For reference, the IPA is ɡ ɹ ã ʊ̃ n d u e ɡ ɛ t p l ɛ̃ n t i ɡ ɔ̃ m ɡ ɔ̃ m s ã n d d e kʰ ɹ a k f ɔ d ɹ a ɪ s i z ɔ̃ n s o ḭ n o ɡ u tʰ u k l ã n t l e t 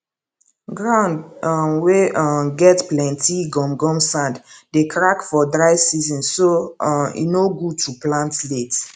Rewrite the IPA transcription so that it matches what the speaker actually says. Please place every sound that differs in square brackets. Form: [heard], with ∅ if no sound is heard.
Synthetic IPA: ɡ ɹ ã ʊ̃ n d [w] e ɡ ɛ t p l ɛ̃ n t i ɡ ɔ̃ m ɡ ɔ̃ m s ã n d d e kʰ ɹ a k f ɔ d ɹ a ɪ s i z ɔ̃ n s o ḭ n o ɡ u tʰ u [p] l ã n t l e t